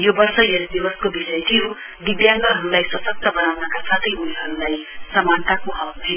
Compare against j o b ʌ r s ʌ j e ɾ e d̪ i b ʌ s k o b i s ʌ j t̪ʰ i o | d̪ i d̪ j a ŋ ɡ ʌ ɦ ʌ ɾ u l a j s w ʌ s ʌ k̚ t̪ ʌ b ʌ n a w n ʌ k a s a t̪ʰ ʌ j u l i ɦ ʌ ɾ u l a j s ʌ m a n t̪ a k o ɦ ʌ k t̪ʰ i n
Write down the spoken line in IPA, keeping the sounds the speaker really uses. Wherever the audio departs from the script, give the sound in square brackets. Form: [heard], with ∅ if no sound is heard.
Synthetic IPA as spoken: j o b ʌ r s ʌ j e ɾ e d̪ i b ʌ s k o b i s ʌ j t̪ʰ i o | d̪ i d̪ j a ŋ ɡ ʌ ɦ ʌ ɾ u l a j s w ʌ s ʌ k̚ t̪ ʌ b ʌ n a w n ʌ k a s a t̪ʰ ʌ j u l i ɦ ʌ ɾ u l a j s ʌ m a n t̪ a k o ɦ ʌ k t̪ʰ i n